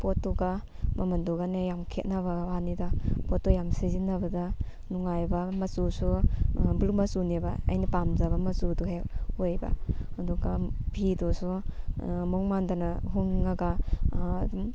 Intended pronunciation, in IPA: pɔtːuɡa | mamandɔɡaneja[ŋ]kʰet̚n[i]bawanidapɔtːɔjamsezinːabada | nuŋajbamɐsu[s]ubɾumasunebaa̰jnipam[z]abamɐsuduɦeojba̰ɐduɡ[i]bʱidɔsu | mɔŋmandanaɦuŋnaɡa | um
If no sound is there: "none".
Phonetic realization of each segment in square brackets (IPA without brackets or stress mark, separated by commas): m, a, s, z, a